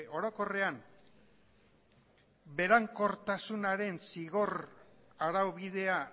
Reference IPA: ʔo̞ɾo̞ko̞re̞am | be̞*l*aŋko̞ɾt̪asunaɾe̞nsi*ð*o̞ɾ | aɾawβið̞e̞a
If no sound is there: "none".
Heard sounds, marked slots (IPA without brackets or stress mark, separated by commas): ɾ, ɣ